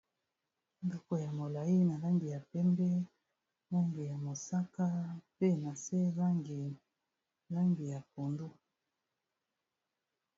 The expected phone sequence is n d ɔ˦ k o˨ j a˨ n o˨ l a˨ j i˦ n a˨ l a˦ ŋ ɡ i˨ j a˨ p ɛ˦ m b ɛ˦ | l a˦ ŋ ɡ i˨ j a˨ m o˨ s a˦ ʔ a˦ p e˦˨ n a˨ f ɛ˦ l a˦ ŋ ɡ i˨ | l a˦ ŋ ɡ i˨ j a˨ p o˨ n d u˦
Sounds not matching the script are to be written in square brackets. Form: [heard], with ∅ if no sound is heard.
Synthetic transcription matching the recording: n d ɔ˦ k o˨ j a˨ [m] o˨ l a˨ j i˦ n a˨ l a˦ ŋ ɡ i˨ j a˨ p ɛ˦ m b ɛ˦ | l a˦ ŋ ɡ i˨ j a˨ m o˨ s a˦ [k] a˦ p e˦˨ n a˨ [s] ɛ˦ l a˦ ŋ ɡ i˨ | l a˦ ŋ ɡ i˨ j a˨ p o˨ n d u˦